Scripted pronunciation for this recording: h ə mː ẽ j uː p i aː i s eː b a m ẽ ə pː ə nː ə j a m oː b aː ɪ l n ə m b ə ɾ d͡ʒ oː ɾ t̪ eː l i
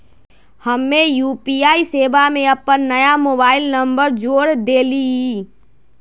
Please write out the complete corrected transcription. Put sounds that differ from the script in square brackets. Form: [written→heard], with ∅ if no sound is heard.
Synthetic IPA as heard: h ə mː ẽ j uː p i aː i s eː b a m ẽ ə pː ə nː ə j a m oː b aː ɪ l n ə m b ə ɾ d͡ʒ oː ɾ [t̪→d̪] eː l i